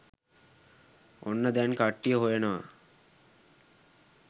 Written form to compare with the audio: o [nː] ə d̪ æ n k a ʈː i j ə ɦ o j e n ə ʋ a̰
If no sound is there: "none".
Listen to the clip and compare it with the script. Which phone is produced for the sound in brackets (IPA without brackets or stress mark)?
nː